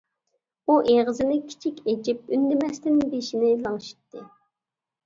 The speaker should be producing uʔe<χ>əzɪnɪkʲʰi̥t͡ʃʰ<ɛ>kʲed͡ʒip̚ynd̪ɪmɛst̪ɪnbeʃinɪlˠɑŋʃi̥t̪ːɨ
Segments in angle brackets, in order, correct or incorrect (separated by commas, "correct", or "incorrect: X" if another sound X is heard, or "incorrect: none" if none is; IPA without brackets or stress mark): incorrect: ʁ, incorrect: i